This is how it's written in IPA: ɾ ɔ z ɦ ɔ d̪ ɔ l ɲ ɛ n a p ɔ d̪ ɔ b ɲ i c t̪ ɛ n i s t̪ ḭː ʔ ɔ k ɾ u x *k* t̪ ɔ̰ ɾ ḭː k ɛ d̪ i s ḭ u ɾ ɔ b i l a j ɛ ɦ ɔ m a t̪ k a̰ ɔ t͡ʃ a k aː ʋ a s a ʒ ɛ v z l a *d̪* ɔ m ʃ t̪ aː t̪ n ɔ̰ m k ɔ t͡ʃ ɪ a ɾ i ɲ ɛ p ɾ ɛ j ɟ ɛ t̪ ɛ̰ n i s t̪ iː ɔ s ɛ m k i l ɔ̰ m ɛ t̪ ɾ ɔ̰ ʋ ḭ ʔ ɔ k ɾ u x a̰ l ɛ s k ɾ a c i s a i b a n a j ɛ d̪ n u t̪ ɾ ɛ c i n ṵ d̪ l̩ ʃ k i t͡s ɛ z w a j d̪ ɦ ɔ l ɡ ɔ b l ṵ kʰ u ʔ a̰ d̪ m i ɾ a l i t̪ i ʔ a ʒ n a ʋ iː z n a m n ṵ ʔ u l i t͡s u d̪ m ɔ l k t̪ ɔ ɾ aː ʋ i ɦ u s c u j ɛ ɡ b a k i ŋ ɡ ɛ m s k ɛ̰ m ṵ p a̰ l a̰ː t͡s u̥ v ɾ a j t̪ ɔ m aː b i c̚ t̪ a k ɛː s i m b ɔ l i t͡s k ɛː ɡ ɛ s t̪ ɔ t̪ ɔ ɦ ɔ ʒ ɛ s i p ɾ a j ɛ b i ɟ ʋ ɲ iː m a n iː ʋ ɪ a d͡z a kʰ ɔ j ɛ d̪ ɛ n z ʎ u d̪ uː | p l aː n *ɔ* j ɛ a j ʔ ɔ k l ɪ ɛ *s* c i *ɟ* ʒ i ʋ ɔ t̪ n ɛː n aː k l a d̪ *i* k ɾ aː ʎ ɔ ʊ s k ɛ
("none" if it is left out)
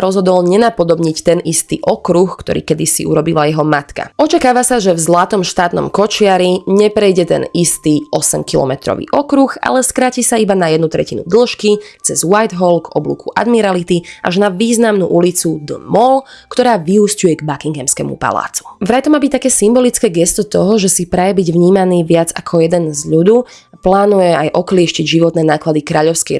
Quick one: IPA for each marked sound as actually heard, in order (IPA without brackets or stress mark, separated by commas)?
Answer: k, t̪, u, ʃ, ɟ, i